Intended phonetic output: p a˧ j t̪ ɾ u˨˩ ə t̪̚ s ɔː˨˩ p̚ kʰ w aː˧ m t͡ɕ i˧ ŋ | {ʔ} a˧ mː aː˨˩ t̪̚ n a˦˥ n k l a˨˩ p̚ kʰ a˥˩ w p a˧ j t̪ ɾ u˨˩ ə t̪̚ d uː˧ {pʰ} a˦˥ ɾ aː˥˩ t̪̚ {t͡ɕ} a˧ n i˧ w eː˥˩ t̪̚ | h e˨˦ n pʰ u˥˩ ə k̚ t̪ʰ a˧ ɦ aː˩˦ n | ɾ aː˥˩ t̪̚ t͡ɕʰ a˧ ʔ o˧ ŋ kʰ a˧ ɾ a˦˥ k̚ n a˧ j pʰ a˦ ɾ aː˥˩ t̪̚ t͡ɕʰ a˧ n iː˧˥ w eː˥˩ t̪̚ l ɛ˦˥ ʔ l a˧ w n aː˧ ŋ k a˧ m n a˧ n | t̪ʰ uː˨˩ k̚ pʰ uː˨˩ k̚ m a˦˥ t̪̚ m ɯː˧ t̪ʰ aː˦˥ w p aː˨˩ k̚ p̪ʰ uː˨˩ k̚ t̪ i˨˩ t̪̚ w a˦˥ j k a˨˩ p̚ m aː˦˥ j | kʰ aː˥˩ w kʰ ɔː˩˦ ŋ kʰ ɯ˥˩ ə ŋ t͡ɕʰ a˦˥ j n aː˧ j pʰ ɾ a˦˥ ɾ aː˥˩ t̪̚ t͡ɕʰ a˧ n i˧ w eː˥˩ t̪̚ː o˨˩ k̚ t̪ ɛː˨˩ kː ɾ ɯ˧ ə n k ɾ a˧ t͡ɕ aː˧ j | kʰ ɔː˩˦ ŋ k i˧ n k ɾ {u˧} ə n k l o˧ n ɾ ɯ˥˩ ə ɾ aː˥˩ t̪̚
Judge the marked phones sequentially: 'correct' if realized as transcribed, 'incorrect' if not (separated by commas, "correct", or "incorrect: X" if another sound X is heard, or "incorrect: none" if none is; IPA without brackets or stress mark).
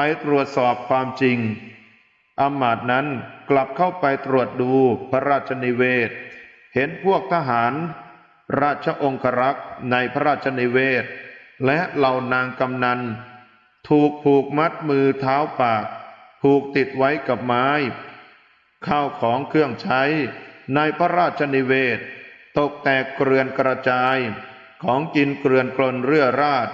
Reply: correct, correct, incorrect: t͡ɕʰ, incorrect: ɯ˧